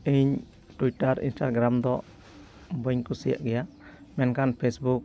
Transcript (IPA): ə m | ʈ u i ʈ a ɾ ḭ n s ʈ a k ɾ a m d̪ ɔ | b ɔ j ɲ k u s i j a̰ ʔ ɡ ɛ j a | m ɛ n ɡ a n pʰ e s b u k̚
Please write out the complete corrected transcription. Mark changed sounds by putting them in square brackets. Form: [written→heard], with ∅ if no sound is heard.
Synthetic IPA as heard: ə [m→ɲ] | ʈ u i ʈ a ɾ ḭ n s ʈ a [k→ɡ] ɾ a m d̪ ɔ | b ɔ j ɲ k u s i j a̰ ʔ ɡ ɛ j a | m ɛ n [ɡ→k] a n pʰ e s b u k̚